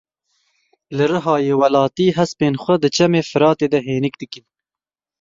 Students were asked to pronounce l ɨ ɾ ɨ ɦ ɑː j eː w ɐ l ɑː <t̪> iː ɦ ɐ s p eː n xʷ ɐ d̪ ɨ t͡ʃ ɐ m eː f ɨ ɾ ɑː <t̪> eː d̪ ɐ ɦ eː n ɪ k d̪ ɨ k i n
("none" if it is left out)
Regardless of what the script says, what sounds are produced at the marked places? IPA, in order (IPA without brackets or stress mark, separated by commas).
t̪, t̪